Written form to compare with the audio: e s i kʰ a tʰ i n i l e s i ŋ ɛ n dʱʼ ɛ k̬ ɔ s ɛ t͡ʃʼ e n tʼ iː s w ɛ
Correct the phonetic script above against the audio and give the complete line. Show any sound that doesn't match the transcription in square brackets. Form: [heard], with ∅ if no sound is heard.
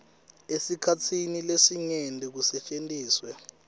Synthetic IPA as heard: e s i kʰ a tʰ i n i l e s i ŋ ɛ n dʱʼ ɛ k̬ [u] s ɛ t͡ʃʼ e n tʼ iː s w ɛ